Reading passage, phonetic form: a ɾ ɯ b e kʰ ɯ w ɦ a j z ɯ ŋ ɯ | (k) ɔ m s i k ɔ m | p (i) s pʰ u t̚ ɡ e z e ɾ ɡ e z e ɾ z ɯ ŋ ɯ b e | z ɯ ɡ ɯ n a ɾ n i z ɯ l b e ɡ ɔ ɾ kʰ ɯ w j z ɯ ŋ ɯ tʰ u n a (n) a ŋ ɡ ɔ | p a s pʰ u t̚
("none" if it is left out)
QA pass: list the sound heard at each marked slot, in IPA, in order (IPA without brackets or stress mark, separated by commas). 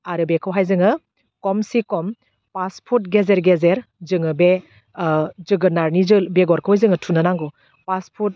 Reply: k, a, n